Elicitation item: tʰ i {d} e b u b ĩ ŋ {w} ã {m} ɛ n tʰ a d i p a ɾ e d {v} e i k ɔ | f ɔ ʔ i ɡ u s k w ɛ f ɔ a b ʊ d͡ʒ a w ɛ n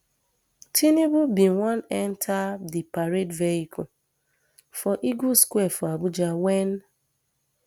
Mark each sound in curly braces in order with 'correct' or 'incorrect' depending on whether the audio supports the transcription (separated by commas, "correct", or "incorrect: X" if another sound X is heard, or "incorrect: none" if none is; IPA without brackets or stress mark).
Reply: incorrect: n, correct, incorrect: n, correct